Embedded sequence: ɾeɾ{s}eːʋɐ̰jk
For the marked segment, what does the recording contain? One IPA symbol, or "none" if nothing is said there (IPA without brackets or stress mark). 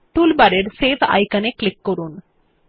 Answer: s